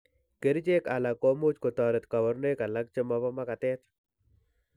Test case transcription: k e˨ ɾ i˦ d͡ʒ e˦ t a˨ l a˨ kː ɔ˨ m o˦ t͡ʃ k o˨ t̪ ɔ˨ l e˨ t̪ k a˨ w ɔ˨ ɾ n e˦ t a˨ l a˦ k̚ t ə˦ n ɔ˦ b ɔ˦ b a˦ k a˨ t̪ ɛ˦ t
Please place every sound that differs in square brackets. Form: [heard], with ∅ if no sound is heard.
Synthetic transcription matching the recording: k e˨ ɾ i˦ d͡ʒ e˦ [k] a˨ l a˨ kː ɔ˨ m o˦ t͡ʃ k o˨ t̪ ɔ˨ [ɾ] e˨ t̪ k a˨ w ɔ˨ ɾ n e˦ [k] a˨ l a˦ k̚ [t͡ʃ] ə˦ [m] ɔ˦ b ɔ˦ [m] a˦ k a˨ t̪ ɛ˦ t